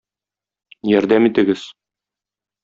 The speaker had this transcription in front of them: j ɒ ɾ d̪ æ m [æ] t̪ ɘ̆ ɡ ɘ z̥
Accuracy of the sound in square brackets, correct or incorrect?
incorrect